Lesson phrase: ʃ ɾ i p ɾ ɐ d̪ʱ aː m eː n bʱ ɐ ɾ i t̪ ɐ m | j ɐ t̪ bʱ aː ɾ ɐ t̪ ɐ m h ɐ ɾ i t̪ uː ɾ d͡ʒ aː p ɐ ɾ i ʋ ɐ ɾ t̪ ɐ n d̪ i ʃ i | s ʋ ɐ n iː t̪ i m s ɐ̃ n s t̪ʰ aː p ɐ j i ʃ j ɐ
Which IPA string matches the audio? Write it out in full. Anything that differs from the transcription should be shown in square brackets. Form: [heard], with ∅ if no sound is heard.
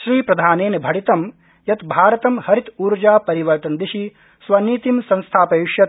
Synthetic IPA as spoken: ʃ ɾ [iː] p ɾ ɐ d̪ʱ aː [n] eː n bʱ ɐ [ɽ] i t̪ ɐ m | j ɐ t̪ bʱ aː ɾ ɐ t̪ ɐ m h ɐ ɾ i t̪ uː ɾ d͡ʒ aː p ɐ ɾ i ʋ ɐ ɾ t̪ ɐ n d̪ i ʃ i | s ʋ ɐ n iː t̪ i m s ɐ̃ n s t̪ʰ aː p ɐ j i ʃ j ɐ